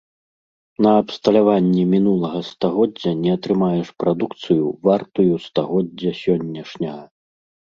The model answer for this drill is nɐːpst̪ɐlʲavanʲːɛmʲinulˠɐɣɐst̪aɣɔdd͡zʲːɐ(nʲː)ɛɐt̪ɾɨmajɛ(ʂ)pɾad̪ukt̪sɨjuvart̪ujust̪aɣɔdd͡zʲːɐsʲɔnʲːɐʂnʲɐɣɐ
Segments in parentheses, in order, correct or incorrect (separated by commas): incorrect, correct